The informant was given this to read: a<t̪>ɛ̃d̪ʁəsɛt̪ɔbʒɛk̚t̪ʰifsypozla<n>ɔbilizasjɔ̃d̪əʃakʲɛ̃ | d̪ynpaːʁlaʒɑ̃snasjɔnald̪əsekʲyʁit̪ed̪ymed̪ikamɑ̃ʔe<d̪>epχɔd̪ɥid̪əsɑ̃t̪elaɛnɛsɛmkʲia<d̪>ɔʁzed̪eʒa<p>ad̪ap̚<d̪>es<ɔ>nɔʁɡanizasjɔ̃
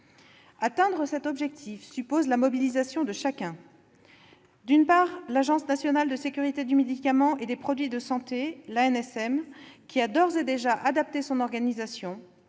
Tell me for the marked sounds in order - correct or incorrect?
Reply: correct, incorrect, correct, correct, incorrect, incorrect, incorrect

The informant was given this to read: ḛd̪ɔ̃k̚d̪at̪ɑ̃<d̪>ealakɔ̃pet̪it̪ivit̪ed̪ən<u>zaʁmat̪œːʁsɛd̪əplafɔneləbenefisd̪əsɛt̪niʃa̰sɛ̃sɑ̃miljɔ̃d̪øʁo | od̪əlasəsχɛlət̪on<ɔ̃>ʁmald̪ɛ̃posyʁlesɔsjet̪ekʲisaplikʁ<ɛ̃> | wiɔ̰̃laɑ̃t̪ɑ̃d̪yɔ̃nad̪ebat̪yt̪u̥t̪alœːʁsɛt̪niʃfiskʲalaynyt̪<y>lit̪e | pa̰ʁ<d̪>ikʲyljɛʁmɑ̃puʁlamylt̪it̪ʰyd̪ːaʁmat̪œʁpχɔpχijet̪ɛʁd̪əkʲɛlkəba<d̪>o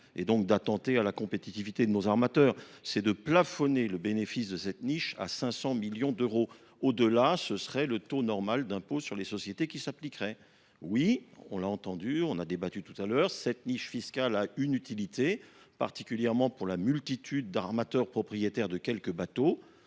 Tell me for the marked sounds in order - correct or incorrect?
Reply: incorrect, incorrect, incorrect, incorrect, incorrect, incorrect, incorrect

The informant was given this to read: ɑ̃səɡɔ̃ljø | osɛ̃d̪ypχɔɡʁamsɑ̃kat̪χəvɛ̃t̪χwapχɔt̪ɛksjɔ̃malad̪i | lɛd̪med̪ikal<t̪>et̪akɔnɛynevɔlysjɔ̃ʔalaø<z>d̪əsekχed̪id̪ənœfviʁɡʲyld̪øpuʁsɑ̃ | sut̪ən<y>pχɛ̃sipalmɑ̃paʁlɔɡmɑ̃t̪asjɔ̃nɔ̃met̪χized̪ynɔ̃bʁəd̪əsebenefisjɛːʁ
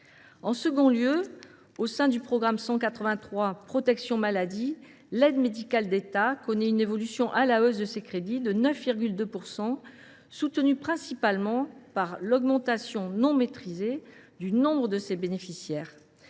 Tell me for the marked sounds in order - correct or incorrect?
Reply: incorrect, correct, correct

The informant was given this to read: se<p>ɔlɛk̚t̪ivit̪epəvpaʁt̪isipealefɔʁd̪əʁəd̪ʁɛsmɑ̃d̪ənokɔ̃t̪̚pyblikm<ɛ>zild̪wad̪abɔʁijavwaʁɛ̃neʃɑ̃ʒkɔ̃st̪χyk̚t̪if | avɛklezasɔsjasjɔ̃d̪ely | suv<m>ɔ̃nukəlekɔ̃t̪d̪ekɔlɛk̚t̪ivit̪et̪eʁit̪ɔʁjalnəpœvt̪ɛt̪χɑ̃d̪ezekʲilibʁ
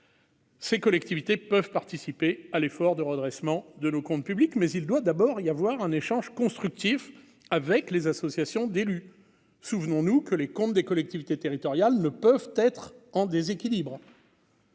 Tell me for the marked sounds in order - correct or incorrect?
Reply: incorrect, correct, incorrect

